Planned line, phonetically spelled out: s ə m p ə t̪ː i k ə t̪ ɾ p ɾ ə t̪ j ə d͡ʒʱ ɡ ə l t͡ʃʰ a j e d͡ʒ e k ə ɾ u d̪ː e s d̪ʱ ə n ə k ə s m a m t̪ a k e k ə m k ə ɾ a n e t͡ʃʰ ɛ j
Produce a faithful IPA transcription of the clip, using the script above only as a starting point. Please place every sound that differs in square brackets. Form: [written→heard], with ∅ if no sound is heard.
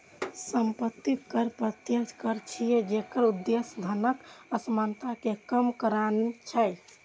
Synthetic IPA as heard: s ə m p ə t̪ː i k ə [t̪→∅] ɾ p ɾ ə t̪ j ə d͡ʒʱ [ɡ→k] ə [l→ɾ] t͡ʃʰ [a→i] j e d͡ʒ e k ə ɾ u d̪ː e s d̪ʱ ə n ə k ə s m a [m→n] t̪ a k e k ə m k ə ɾ a n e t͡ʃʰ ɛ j